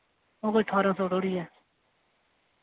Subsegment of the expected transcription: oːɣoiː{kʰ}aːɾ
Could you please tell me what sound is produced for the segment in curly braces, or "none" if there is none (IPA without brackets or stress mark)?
ʈʰ